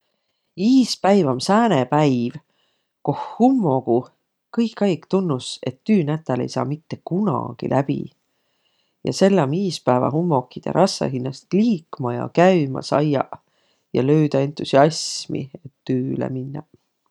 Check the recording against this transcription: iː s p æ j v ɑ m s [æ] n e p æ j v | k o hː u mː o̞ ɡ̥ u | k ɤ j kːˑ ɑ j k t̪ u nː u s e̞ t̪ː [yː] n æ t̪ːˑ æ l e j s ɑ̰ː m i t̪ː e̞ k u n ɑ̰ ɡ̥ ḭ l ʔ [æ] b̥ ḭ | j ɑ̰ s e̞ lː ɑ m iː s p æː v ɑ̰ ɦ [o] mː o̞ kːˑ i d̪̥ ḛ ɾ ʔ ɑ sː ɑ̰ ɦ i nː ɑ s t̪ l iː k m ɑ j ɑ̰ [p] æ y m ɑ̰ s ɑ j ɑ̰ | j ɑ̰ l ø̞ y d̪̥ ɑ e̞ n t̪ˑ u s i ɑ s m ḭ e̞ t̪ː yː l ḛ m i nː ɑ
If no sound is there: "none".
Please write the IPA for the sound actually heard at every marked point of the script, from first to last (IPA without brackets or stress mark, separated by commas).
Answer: æː, yː, æ, u, k